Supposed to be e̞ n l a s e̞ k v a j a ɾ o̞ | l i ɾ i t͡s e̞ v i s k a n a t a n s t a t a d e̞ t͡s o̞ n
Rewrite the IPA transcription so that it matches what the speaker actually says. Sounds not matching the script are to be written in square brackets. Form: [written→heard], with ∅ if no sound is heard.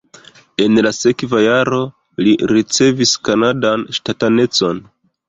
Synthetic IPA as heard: e̞ n l a s e̞ k v a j a ɾ o̞ | l i ɾ i t͡s e̞ v i s k a n a [t→d] a n [s→ʃ] t a t a [d→n] e̞ t͡s o̞ n